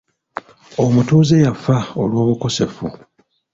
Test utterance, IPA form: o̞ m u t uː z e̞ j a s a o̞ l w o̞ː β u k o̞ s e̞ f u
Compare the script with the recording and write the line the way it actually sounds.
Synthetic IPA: o̞ m u t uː z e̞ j a f a o̞ l w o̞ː β u k o̞ s e̞ f u